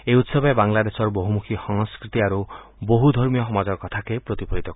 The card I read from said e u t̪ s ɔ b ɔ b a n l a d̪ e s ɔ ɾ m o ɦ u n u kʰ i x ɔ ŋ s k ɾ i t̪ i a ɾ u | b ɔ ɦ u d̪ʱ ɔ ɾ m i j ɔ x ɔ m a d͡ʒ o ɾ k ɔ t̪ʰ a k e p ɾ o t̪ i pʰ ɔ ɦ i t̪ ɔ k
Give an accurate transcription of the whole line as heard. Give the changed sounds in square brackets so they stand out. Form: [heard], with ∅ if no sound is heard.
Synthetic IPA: e u t̪ s ɔ b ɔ b a [ŋ] l a d̪ e s ɔ ɾ [b] o ɦ u [m] u kʰ i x ɔ ŋ s k ɾ i t̪ i a ɾ u | b [o] ɦ u d̪ʱ ɔ ɾ m i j ɔ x ɔ m a d͡ʒ [ɔ] ɾ k ɔ t̪ʰ a k e p ɾ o t̪ i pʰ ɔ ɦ i t̪ ɔ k